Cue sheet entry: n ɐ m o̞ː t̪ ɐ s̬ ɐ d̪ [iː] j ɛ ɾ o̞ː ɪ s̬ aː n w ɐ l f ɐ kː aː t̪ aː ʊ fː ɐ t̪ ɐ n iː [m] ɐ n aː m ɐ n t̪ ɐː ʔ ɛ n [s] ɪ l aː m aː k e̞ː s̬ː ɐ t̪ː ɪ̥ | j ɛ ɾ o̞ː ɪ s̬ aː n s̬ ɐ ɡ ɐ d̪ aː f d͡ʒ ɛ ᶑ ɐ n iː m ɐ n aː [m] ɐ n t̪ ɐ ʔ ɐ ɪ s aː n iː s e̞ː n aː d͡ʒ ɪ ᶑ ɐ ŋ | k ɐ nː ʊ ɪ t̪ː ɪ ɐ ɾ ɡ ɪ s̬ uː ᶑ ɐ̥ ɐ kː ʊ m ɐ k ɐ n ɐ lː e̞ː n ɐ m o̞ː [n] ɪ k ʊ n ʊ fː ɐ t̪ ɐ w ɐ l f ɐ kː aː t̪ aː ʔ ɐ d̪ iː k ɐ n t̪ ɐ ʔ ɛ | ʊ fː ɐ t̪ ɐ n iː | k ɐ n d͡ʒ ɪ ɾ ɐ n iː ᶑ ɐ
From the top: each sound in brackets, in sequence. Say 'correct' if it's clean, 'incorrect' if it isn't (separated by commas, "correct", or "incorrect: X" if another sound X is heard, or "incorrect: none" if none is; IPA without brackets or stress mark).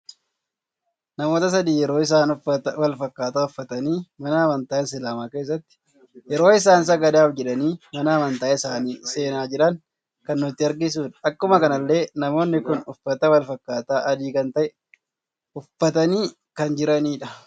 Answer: correct, correct, correct, correct, incorrect: nː